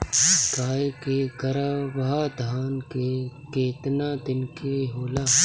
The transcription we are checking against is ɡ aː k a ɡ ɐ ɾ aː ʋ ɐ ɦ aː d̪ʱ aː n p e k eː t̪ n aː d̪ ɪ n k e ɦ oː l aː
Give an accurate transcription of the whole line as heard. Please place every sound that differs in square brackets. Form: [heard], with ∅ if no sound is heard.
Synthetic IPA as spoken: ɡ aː k [e] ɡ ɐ ɾ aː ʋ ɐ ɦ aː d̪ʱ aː n [k] e k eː t̪ n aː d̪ ɪ n k e ɦ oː l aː